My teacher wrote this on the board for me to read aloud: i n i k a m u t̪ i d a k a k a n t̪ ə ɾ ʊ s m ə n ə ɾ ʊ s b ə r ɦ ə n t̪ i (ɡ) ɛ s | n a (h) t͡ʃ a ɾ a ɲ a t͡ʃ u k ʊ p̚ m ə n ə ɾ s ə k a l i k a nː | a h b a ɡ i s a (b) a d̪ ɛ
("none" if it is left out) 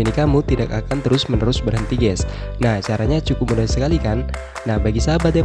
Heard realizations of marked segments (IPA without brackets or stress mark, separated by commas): ɡ, h, b